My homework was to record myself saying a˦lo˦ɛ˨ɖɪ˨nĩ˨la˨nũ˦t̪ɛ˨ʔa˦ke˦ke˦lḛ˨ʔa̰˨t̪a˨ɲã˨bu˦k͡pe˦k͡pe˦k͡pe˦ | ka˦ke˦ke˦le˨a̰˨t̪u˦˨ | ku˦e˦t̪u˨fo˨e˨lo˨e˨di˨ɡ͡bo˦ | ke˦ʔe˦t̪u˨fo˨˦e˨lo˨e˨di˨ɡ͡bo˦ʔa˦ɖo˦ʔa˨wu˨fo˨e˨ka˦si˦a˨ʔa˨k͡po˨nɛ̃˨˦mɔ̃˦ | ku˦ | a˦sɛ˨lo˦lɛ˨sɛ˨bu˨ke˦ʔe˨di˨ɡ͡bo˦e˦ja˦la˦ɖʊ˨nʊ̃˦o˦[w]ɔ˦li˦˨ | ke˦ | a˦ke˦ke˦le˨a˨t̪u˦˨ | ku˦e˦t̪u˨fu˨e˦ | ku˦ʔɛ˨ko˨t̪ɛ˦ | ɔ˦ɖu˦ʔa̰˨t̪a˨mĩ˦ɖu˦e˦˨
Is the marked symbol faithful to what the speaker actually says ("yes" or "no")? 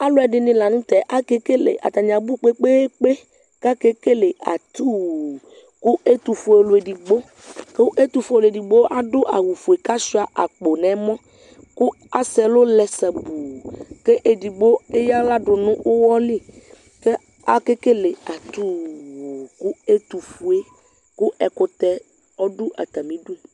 yes